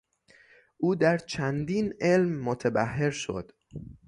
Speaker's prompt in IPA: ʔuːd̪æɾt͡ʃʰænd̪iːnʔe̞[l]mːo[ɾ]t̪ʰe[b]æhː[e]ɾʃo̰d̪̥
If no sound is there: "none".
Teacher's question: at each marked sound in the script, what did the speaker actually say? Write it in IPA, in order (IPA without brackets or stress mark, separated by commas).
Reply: l, none, b, e